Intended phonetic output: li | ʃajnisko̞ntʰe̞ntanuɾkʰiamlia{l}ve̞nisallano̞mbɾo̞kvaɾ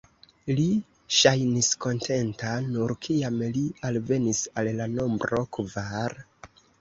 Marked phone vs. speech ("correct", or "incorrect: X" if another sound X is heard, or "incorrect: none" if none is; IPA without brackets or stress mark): correct